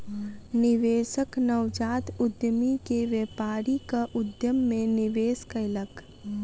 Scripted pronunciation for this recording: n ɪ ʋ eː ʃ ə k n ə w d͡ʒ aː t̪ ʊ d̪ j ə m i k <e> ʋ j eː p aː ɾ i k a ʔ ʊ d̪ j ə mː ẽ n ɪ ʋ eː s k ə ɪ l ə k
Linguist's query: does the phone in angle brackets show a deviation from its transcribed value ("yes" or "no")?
no